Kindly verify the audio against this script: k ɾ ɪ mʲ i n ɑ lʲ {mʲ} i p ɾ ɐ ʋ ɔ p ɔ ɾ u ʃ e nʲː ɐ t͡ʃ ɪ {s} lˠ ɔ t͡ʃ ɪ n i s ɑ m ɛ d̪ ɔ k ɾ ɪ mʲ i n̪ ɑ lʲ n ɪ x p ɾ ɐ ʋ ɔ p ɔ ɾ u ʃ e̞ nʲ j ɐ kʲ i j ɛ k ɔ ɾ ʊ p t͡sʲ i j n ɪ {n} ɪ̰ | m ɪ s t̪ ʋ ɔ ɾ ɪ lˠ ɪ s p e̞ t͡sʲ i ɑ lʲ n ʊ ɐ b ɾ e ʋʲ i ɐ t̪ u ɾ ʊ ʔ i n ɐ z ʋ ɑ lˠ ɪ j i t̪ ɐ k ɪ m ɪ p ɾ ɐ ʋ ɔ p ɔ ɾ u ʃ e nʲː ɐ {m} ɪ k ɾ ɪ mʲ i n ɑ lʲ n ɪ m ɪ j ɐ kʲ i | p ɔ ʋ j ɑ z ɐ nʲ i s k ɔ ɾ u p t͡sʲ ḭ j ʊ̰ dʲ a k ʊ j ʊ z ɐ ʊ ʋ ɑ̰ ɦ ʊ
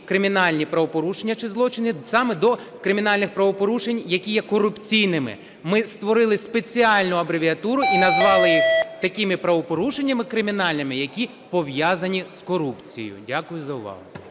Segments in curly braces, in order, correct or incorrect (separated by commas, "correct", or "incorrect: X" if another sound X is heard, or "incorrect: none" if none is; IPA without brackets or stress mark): incorrect: nʲ, incorrect: z, incorrect: m, correct